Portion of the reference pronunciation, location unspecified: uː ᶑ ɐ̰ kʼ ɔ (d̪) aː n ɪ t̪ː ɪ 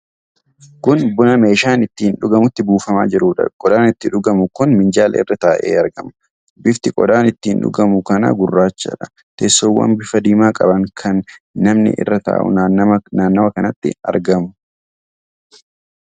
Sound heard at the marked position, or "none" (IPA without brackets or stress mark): d̪